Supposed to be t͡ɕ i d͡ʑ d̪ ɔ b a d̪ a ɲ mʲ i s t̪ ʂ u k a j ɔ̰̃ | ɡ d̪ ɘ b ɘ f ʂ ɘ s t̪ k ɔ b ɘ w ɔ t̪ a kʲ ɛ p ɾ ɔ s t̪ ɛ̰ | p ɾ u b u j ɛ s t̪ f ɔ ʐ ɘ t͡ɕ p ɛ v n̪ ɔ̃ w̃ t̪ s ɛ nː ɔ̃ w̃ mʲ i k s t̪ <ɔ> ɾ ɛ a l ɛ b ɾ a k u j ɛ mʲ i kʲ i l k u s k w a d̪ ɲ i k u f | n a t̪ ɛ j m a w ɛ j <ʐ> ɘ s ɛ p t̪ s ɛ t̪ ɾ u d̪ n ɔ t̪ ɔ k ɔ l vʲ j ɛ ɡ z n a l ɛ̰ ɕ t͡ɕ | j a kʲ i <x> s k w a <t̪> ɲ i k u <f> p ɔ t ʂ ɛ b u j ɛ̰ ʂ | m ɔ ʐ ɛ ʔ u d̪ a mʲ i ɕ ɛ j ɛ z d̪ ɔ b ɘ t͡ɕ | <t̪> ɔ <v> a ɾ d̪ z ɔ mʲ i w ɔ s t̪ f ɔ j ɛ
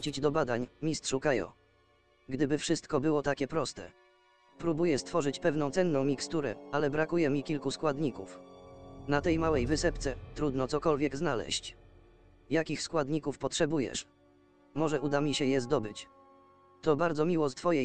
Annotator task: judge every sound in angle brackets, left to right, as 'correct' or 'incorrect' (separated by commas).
incorrect, incorrect, correct, incorrect, correct, correct, incorrect